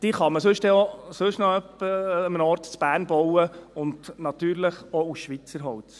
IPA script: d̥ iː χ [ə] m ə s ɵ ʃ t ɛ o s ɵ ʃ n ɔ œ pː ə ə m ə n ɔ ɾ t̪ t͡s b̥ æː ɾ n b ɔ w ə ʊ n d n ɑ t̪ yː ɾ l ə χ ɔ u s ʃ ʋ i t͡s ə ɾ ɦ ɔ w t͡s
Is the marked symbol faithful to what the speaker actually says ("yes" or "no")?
no